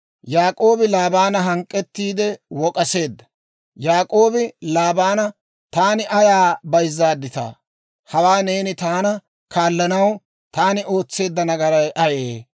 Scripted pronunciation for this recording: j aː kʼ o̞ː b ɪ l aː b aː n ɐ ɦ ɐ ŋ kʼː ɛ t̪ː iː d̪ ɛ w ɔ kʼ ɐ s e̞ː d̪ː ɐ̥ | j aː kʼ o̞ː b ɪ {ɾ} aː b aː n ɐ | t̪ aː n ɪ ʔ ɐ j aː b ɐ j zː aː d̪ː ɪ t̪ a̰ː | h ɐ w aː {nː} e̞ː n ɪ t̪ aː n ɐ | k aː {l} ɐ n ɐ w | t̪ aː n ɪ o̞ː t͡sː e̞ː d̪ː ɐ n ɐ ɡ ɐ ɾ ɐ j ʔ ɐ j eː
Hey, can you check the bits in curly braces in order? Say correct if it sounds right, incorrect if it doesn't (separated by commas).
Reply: incorrect, incorrect, incorrect